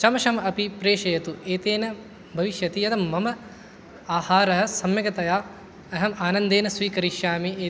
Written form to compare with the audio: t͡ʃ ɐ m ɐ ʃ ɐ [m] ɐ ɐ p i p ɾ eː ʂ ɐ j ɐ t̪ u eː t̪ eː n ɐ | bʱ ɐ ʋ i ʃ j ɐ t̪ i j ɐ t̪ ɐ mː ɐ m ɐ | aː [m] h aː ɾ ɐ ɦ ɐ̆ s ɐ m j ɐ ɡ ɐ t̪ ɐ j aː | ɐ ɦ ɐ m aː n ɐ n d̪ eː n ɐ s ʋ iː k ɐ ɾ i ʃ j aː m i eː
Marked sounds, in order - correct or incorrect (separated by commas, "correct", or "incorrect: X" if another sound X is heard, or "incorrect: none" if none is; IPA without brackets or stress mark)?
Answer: correct, incorrect: none